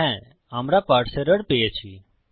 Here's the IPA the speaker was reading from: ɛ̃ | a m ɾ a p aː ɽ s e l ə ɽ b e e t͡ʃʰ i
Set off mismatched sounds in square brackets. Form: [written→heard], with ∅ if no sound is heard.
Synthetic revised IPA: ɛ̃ | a m ɾ a p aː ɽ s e [l→ɾ] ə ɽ [b→p] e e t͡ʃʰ i